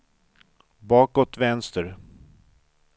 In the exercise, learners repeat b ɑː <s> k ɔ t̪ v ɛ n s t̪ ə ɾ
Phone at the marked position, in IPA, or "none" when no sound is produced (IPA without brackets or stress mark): none